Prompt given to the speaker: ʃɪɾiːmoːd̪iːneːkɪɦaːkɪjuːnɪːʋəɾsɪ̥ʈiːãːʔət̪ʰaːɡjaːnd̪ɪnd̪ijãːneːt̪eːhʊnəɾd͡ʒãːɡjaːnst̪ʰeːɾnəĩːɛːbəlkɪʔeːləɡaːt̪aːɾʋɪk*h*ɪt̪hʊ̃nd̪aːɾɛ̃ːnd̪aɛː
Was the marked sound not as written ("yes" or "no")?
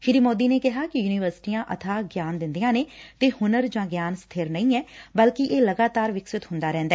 yes